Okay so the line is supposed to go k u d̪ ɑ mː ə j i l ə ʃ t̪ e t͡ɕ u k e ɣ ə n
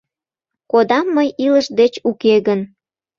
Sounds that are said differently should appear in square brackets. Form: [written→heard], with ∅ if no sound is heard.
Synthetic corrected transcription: k [u→o] d̪ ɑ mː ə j i l ə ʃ [t̪→d̪] e t͡ɕ u k e ɣ ə n

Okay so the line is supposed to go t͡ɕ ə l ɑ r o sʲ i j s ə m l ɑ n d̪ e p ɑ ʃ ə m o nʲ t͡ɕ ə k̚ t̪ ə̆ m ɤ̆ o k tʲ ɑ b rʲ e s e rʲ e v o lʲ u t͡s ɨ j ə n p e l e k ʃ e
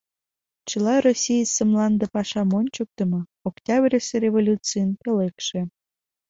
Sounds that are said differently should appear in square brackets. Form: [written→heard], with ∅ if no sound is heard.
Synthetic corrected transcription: t͡ɕ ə l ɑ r o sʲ i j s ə m l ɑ n d̪ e p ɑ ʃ [ə→ɑ] m o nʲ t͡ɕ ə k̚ t̪ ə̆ m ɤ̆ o k tʲ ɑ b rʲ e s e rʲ e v o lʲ u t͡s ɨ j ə n p e l e k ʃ e

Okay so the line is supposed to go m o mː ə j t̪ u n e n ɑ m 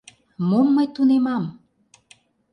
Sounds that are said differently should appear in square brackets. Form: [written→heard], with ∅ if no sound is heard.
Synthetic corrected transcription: m o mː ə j t̪ u n e [n→m] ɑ m

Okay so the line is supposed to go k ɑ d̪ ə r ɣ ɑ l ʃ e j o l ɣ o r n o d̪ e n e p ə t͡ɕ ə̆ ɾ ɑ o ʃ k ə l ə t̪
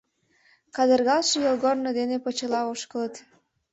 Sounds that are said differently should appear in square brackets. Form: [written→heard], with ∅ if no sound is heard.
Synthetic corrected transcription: k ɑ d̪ ə r ɣ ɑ l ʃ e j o l ɣ o r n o d̪ e n e p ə t͡ɕ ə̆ [ɾ→l] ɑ o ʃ k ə l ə t̪

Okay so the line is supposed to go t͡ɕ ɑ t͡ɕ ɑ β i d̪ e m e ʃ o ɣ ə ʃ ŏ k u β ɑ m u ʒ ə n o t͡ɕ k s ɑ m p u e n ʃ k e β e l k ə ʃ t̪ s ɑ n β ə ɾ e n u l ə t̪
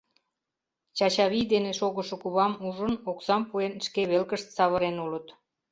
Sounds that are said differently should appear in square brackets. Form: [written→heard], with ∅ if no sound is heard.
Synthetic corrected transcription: t͡ɕ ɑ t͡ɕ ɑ β i d̪ e [m→n] e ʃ o ɣ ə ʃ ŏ k u β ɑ m u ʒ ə n o [t͡ɕ→∅] k s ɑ m p u e n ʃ k e β e l k ə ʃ t̪ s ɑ [n→∅] β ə ɾ e n u l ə t̪

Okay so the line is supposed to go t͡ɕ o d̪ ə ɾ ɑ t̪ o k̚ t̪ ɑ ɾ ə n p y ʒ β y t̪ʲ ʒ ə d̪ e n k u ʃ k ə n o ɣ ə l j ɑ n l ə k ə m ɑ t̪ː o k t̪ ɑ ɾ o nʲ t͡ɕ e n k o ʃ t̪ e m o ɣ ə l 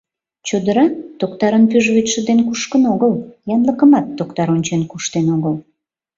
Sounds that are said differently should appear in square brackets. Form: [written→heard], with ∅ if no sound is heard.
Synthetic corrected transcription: t͡ɕ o d̪ ə ɾ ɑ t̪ o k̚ t̪ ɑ ɾ ə n p y ʒ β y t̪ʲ [ʒ→ʃ] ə d̪ e n k u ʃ k ə n o ɣ ə l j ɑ n l ə k ə m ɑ t̪ː o k t̪ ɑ ɾ o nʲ t͡ɕ e n k [o→u] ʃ t̪ e [m→n] o ɣ ə l

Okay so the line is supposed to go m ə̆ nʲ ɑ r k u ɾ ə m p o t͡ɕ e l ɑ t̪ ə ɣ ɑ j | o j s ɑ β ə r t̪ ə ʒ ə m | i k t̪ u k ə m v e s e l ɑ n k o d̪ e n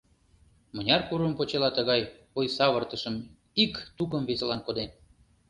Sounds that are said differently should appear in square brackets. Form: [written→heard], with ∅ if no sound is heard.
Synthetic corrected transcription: m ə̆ nʲ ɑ r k u ɾ ə m p o t͡ɕ e l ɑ t̪ ə ɣ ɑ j | o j s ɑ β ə r t̪ ə [ʒ→ʃ] ə m | i k t̪ u k ə m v e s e l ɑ n k o d̪ e n

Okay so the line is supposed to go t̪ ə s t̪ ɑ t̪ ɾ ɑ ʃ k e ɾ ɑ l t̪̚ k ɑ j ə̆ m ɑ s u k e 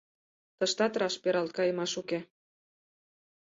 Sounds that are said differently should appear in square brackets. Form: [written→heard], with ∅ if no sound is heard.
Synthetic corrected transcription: t̪ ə [s→ʃ] t̪ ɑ t̪ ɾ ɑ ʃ [k→p] e ɾ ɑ l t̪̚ k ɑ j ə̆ m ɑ [s→ʃ] u k e

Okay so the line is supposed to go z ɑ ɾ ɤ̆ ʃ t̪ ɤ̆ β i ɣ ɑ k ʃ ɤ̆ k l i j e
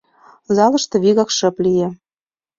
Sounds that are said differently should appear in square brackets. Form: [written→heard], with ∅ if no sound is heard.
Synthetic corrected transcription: z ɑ [ɾ→l] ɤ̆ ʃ t̪ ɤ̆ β i ɣ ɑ k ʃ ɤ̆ [k→p] l i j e

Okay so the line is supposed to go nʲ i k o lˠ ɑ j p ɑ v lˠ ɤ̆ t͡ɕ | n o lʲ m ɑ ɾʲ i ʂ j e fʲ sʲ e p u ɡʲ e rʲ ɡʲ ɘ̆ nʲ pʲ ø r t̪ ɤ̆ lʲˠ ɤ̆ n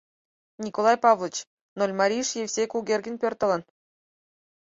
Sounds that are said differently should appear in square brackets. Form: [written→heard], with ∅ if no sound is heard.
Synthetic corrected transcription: nʲ i k o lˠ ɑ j p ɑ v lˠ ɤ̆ t͡ɕ | n o lʲ m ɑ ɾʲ i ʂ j e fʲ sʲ e [p→k] u ɡʲ e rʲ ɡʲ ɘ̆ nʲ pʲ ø r t̪ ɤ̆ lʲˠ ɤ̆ n

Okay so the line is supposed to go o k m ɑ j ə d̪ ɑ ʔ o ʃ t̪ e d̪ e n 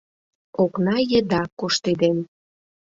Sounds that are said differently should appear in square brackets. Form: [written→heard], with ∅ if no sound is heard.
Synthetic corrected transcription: o k [m→n] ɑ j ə d̪ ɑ [ʔ→k] o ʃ t̪ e d̪ e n

